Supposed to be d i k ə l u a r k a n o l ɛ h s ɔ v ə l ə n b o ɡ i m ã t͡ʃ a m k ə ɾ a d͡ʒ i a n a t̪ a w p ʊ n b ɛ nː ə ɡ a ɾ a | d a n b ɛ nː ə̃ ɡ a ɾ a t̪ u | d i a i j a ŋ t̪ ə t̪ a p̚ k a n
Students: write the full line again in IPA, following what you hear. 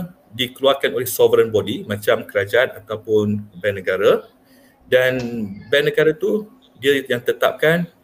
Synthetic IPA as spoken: d i k ə l u a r k a n o l ɛ h s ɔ v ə ɾ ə n b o d i m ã t͡ʃ a m k ə ɾ a d͡ʒ a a n a t̪ a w p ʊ n b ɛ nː ə ɡ a ɾ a | d a n b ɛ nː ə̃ ɡ a ɾ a t̪ u | d i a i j a ŋ t̪ ə t̪ a p̚ k a n